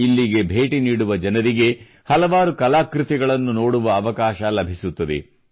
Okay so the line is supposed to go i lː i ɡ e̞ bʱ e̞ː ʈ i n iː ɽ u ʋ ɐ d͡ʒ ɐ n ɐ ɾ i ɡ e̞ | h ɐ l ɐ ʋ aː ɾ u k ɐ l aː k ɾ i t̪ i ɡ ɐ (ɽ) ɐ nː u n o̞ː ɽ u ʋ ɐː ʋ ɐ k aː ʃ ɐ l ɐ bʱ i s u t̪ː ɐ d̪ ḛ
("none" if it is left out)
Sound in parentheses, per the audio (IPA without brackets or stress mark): ɭ